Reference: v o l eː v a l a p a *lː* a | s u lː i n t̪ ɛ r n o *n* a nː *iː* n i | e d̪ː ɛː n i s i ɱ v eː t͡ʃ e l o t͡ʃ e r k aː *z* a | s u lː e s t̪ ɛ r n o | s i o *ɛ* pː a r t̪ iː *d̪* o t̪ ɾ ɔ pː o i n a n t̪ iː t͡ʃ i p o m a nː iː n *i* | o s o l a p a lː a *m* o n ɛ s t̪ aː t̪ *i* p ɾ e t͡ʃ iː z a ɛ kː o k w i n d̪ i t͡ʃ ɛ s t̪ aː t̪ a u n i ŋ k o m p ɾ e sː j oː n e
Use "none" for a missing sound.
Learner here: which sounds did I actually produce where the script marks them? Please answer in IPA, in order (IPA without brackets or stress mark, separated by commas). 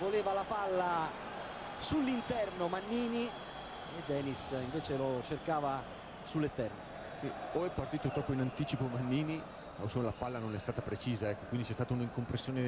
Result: lː, m, iː, v, ɛ, t̪, i, n, a